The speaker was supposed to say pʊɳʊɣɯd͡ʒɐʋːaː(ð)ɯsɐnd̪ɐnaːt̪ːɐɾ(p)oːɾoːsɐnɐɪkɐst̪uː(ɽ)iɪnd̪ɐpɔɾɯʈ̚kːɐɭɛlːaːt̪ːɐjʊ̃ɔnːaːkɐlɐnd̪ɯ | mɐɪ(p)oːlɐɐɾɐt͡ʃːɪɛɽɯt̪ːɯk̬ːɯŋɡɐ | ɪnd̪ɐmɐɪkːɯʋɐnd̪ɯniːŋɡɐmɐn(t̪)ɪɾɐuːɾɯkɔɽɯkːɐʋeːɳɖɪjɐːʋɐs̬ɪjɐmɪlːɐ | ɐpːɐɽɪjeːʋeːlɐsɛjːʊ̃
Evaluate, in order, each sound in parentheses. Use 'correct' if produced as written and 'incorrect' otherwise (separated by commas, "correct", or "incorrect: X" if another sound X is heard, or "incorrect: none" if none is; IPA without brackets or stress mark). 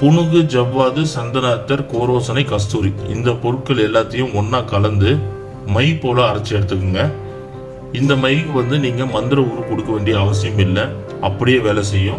correct, incorrect: k, incorrect: ɾ, correct, incorrect: d̪